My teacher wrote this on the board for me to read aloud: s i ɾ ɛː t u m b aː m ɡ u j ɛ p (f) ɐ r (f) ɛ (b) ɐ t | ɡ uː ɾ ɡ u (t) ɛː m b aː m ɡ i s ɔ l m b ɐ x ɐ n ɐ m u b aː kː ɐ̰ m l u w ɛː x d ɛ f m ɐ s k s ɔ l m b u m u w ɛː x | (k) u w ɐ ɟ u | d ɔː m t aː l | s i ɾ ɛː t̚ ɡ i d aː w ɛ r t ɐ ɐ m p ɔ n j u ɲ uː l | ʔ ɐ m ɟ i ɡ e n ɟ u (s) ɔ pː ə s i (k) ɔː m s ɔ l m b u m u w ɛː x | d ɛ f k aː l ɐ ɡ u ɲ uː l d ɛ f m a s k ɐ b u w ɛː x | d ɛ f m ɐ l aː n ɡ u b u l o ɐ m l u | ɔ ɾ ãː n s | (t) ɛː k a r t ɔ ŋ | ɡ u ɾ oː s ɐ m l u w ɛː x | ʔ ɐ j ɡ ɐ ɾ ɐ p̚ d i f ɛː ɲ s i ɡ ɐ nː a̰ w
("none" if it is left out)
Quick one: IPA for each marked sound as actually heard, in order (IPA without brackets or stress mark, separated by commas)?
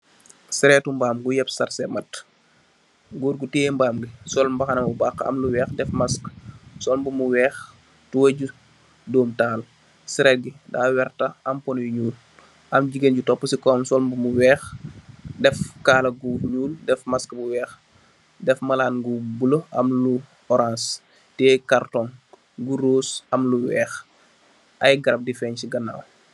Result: s, s, m, t, t, t, k, t